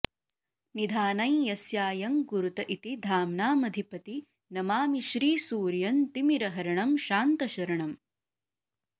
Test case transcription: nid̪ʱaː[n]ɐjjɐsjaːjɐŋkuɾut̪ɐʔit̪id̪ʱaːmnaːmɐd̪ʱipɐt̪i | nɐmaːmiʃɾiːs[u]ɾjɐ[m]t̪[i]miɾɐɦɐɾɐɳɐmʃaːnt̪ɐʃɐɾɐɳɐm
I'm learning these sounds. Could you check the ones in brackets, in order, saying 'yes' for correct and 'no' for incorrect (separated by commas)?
yes, no, no, yes